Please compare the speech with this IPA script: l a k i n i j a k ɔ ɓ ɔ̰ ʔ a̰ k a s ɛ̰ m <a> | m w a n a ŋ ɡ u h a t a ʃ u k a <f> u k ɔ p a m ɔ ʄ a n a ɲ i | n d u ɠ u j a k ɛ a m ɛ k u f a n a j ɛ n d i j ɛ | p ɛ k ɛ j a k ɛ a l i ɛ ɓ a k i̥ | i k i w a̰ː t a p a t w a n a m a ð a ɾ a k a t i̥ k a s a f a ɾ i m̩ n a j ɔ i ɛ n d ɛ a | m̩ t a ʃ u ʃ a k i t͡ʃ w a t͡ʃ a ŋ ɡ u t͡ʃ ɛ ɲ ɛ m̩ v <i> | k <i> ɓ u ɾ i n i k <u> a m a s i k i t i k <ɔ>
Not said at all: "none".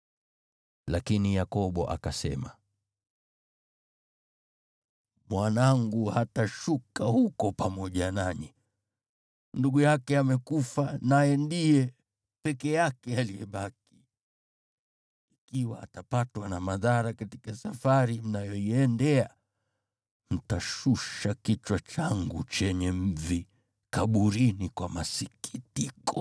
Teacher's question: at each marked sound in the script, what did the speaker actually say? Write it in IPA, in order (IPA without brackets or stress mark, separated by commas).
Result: a, h, i, a, w, ɔ